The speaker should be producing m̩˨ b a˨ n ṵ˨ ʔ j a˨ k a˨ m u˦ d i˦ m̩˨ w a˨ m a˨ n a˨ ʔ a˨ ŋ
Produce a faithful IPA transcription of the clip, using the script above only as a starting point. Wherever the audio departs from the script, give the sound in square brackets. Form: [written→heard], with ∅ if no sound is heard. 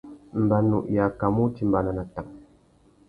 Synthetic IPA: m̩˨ b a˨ n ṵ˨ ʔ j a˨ k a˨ m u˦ [d→t] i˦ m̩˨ [w→b] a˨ [m→n] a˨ n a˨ [ʔ→t] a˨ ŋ